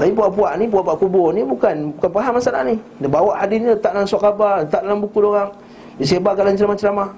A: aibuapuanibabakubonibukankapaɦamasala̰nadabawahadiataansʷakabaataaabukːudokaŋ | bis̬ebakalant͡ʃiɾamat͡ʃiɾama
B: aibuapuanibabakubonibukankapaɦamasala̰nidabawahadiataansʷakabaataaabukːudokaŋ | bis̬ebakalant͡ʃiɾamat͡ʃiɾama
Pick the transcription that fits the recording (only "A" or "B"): B